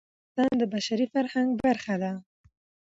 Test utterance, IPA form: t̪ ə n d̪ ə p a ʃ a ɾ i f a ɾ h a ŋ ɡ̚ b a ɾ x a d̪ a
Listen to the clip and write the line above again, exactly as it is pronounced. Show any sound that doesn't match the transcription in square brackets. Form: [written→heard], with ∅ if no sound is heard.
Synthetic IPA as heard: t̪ [ə→ɑ] n d̪ ə [p→b] a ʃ a ɾ i f a ɾ h a ŋ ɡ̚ b a ɾ x a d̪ a